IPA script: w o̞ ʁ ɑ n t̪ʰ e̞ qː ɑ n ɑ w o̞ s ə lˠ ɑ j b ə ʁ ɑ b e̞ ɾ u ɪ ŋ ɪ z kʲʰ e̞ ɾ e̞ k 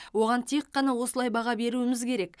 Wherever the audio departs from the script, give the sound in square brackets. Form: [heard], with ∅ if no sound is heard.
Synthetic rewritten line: w o̞ ʁ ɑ n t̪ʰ e̞ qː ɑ n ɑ w o̞ s ə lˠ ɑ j b [ɑ] ʁ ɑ b e̞ ɾ u ɪ [m] ɪ z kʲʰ e̞ ɾ e̞ k